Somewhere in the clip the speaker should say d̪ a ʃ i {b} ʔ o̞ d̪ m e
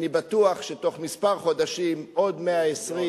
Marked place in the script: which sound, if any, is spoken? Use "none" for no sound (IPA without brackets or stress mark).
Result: m